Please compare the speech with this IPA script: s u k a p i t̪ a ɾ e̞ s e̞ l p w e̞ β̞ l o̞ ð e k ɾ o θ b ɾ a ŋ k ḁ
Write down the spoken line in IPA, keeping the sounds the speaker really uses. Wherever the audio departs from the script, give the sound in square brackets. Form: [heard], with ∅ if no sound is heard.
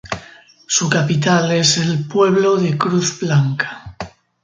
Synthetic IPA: s u k a p i t̪ a [l] e̞ s e̞ l p w e̞ β̞ l o̞ ð e k ɾ [u] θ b [l] a ŋ k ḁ